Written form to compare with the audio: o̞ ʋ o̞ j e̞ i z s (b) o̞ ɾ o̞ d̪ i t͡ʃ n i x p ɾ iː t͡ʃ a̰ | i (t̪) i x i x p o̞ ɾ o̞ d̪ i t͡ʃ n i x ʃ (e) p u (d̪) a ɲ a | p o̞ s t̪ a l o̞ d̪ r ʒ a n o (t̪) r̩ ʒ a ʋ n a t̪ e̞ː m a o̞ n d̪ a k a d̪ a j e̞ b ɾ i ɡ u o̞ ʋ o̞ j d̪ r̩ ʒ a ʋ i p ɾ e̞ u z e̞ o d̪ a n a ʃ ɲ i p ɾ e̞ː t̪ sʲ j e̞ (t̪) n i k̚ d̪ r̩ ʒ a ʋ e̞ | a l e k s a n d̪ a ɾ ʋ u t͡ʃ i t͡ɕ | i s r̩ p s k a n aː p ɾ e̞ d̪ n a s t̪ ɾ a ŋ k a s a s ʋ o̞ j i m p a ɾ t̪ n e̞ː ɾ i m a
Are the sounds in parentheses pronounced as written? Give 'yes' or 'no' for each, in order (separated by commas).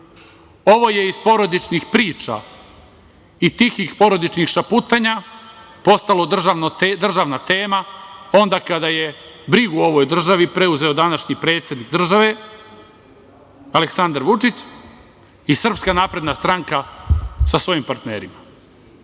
no, yes, no, no, no, no